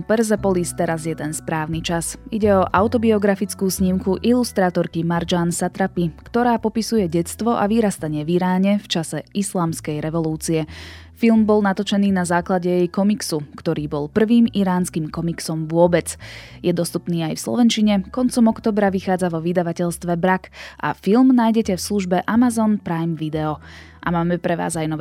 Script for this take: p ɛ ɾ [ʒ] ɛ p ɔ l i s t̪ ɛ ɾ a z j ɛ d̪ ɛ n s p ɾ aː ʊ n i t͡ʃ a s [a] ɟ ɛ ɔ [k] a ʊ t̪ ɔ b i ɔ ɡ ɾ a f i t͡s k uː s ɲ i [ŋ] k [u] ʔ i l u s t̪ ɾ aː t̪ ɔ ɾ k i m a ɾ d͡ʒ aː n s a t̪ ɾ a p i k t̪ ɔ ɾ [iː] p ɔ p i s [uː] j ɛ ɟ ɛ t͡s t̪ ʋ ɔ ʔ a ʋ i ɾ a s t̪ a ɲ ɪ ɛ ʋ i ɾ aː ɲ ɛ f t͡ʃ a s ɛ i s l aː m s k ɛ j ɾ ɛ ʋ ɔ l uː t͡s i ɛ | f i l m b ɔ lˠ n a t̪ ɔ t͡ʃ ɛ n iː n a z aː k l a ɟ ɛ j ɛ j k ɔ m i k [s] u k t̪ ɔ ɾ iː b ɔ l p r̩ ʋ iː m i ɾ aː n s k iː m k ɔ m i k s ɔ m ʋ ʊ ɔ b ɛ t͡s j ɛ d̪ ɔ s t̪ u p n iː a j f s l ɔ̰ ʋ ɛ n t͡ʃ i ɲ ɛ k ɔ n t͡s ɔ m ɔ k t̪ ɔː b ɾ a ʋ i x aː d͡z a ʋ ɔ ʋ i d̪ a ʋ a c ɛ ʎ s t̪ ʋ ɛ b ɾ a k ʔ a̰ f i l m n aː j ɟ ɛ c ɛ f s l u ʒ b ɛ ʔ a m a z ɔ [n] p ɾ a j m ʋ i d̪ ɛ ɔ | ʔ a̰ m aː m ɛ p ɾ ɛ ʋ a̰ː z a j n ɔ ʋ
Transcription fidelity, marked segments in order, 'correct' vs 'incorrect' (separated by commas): incorrect, incorrect, incorrect, incorrect, correct, incorrect, incorrect, correct, correct